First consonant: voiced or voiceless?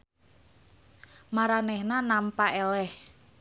voiced